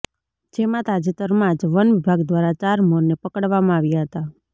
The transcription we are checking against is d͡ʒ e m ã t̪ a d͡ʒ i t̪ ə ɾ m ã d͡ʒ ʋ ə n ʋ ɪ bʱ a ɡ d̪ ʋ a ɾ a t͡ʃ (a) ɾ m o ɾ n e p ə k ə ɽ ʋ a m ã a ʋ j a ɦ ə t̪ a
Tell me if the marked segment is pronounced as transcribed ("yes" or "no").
yes